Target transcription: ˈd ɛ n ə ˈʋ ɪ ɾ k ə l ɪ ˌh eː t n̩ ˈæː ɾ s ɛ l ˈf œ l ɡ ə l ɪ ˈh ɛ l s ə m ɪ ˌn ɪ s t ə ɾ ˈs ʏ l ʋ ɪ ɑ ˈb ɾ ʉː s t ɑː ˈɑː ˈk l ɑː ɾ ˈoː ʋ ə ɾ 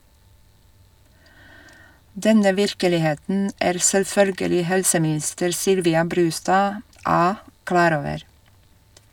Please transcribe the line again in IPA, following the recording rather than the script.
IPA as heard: ˈd ɛ n ə ˈʋ ɪ ɾ k ə l ɪ ˌh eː t n̩ ˈæː ɾ s ɛ l ˈf œ l ɡ ə l ɪ ˈh ɛ l s ə m ɪ ˌn ɪ s t ə ɾ ˈs ʏ l ʋ ɪ ɑ ˈb ɾ ʉː s t ɑː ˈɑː ˈk l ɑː ɾ ˈoː ʋ ə ɾ